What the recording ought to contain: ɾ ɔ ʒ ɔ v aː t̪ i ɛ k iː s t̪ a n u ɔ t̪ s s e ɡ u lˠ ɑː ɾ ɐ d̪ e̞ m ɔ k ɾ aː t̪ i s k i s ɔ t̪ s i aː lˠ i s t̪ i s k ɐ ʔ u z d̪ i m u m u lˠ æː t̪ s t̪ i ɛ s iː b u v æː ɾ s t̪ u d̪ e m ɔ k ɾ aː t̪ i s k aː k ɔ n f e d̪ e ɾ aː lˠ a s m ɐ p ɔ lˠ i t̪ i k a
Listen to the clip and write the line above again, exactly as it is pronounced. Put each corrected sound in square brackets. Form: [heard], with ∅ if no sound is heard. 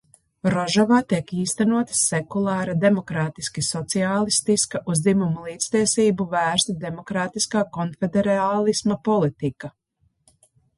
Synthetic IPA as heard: ɾ ɔ ʒ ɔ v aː t̪ i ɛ k iː s t̪ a n u ɔ t̪ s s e [k] u lˠ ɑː ɾ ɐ d̪ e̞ m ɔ k ɾ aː t̪ i s k i s ɔ t̪ s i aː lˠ i s t̪ i s k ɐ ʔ u z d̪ i m u m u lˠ [iː] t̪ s t̪ i ɛ s iː b u v æː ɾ s t̪ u d̪ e m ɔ k ɾ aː t̪ i s k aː k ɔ n f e d̪ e ɾ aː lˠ [i] s m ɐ p ɔ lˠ i t̪ i k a